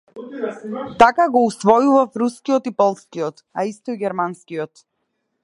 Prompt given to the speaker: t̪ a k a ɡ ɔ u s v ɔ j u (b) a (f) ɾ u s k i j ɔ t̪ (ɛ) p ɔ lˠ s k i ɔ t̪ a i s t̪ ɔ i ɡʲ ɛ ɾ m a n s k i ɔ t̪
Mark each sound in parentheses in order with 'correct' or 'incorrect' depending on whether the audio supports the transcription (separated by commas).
incorrect, correct, incorrect